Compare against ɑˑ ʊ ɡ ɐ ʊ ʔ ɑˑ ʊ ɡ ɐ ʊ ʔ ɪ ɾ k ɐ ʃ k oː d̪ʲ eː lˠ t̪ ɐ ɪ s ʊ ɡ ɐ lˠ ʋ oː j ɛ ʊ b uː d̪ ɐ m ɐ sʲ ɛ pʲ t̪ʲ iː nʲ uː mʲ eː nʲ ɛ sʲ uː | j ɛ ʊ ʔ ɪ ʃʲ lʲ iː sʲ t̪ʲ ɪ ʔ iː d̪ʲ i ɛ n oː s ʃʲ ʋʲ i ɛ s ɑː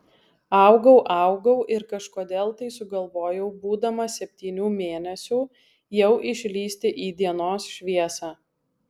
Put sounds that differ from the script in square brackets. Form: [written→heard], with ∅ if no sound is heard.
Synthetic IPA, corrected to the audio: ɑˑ ʊ ɡ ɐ ʊ ʔ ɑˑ ʊ ɡ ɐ ʊ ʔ ɪ ɾ k ɐ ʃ k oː d̪ʲ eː lˠ t̪ ɐ ɪ s ʊ ɡ ɐ lˠ ʋ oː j ɛ ʊ b uː d̪ ɐ m ɐ sʲ ɛ pʲ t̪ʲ iː nʲ uː mʲ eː nʲ ɛ sʲ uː | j ɛ ʊ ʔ ɪ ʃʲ lʲ iː sʲ t̪ʲ ɪ ʔ iː d̪ʲ i ɛ n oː s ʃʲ ʋʲ i ɛ s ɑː